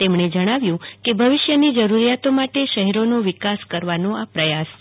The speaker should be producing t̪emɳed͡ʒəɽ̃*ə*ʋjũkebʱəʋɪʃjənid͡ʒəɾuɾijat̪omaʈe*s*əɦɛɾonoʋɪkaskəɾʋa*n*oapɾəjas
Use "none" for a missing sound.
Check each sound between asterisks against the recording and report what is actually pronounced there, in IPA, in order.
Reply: a, ʃ, n

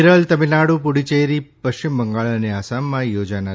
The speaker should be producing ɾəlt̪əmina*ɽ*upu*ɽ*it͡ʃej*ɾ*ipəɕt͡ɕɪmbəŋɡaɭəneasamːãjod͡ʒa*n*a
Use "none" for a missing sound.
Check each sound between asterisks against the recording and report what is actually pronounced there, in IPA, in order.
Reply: ɽ, ɽ, ɾ, n

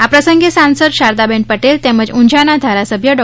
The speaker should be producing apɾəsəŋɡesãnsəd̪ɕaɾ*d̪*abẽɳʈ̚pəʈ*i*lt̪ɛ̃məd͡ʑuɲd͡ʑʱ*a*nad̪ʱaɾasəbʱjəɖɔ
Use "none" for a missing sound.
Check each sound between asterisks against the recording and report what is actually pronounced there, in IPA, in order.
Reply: d̪, e, a

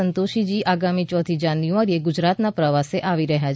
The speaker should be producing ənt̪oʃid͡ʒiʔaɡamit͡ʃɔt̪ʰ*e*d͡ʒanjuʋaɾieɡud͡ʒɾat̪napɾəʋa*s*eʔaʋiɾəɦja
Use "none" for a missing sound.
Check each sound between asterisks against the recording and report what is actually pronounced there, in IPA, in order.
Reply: i, s

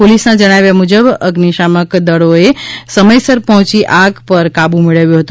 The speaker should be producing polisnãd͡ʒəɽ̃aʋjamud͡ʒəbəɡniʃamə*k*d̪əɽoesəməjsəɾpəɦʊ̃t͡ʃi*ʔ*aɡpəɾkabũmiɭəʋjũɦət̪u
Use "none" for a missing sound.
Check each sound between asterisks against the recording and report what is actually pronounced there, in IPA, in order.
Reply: k, ʔ

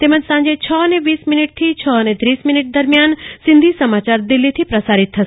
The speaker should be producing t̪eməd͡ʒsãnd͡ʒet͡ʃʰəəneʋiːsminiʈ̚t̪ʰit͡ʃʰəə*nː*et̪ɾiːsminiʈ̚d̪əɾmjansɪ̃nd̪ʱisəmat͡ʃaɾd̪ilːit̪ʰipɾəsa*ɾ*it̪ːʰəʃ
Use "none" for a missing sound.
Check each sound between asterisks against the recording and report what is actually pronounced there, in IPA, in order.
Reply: n, ɾ

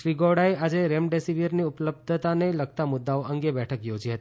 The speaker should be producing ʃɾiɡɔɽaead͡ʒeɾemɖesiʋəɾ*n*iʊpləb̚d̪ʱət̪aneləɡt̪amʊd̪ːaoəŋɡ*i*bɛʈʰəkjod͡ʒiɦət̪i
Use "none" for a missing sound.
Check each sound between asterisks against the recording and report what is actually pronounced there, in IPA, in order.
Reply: n, e

